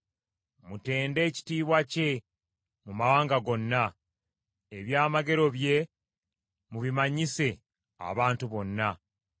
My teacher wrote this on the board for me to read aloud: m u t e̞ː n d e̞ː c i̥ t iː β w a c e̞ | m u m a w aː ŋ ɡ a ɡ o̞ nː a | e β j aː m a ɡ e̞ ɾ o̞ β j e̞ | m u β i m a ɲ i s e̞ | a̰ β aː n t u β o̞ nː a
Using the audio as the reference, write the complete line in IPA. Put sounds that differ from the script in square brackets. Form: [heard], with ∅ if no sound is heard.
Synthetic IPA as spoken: m u t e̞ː n d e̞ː c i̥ t iː β w a c e̞ | m u m a w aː ŋ ɡ a ɡ o̞ nː a | e β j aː m a ɡ e̞ ɾ o̞ β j e̞ | m u β i m a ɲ i s e̞ | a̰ β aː n t u β o̞ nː a